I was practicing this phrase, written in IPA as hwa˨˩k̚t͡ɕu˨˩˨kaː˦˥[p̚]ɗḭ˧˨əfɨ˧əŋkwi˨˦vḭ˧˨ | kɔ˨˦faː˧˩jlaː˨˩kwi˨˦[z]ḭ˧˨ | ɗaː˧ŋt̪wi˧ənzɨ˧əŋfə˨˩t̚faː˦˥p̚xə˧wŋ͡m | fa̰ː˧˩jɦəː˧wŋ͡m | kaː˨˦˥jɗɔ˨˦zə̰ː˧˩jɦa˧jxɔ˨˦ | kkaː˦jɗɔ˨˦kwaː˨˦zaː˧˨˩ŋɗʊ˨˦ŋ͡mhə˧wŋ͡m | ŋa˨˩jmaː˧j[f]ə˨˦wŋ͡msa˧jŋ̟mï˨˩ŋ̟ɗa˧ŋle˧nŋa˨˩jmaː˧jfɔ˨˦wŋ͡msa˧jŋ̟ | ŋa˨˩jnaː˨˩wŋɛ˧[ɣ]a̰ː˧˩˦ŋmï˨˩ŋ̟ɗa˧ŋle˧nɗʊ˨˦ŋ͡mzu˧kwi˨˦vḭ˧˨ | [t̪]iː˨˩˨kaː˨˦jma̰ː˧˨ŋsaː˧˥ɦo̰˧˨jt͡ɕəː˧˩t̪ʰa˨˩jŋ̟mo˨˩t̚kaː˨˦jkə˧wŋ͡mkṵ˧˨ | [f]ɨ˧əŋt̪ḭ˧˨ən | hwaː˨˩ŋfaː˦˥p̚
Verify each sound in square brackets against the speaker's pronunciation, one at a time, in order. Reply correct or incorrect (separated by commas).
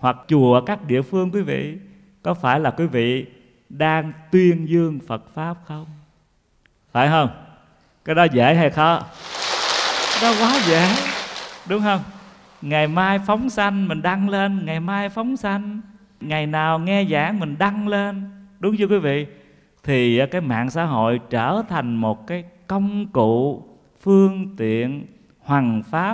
incorrect, incorrect, correct, incorrect, incorrect, correct